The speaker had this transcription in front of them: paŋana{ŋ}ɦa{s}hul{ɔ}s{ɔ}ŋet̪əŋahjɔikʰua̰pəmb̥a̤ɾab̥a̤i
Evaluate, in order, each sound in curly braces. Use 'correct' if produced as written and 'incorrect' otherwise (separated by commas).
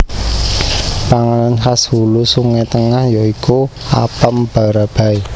incorrect, correct, incorrect, incorrect